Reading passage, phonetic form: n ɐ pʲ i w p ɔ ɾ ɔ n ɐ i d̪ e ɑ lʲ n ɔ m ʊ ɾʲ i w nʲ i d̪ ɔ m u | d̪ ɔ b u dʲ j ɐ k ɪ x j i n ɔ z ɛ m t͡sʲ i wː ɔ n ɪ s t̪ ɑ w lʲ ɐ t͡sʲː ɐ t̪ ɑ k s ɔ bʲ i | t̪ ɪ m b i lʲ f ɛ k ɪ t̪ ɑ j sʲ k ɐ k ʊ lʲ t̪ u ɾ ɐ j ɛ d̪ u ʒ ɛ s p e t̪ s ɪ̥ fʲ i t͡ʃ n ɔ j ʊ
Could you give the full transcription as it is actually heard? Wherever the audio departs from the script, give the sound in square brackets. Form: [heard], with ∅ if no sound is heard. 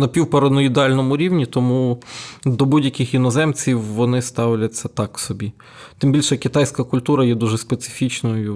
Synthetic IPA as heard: n ɐ pʲ i w p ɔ ɾ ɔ n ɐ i d̪ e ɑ lʲ n ɔ m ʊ ɾʲ i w nʲ i [t̪] ɔ m u | d̪ ɔ b u dʲ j ɐ k ɪ x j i n ɔ z ɛ m t͡sʲ i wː ɔ n ɪ s t̪ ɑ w lʲ ɐ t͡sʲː ɐ t̪ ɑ k s ɔ bʲ i | t̪ ɪ m b i lʲ [ʃ] ɛ k ɪ t̪ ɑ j sʲ k ɐ k ʊ lʲ t̪ u ɾ ɐ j ɛ d̪ u ʒ ɛ s p e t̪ s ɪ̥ fʲ i t͡ʃ n ɔ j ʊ